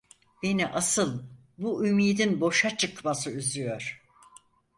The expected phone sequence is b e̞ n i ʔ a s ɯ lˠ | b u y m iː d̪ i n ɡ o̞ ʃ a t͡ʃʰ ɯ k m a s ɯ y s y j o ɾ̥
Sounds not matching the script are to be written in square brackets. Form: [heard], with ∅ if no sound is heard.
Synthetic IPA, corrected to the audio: b e̞ n i ʔ a s ɯ lˠ | b u y m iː d̪ i n [b] o̞ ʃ a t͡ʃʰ ɯ k m a s ɯ y [z] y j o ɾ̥